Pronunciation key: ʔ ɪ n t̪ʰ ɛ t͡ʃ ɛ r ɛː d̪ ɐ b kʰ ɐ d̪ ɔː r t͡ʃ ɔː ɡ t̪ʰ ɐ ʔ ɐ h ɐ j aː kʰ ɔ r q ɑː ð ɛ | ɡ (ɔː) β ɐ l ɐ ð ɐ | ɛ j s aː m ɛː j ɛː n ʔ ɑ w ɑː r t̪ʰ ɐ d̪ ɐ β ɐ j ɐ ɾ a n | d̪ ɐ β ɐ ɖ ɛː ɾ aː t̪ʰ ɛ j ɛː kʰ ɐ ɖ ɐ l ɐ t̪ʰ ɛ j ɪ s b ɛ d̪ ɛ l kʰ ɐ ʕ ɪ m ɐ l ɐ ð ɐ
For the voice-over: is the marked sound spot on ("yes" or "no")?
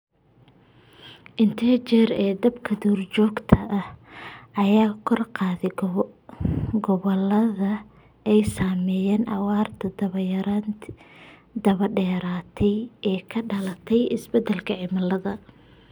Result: no